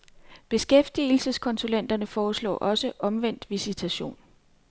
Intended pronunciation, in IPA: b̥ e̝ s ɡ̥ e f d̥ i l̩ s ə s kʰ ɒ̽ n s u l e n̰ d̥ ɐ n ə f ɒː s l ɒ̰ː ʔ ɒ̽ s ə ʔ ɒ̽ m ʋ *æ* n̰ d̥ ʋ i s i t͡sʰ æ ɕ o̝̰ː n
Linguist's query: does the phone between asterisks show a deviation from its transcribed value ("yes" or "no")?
yes